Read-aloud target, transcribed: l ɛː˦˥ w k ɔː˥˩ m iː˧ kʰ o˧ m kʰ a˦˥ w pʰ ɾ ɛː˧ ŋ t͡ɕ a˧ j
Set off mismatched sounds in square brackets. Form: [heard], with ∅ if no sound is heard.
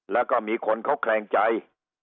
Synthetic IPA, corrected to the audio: l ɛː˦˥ w k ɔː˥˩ m iː˧ kʰ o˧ [n] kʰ a˦˥ w [kʰ] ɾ ɛː˧ ŋ t͡ɕ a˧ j